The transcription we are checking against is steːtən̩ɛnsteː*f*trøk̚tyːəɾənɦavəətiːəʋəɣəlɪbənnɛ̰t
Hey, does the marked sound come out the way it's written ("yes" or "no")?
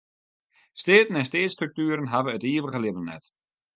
no